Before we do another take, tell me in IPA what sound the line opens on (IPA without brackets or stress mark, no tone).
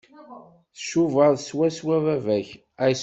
θ